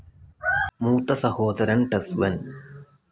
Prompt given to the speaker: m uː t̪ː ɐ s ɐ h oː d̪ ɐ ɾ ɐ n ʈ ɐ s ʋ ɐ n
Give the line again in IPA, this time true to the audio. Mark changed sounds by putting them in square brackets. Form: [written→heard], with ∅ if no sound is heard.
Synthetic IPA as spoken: m uː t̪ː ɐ s ɐ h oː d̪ ɐ ɾ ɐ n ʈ ɐ s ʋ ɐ n